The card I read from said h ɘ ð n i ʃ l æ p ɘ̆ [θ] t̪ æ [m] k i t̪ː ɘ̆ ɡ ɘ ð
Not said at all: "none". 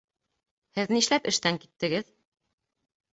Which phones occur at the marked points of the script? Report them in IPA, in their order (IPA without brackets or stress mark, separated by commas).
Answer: ʃ, ŋ